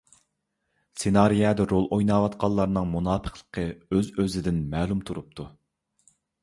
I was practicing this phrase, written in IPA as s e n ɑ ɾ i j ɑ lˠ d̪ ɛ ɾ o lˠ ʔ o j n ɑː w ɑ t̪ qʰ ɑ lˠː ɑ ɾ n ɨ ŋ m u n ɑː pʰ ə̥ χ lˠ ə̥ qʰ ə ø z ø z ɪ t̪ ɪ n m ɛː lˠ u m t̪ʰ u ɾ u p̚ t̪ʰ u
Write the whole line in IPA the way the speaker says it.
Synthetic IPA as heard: s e n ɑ ɾ i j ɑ d̪ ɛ ɾ o lˠ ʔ o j n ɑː w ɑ t̪ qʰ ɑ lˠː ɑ ɾ n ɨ ŋ m u n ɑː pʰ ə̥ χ lˠ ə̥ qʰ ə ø z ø z ɪ d̪ ɪ n m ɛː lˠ u m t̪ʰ u ɾ u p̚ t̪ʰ u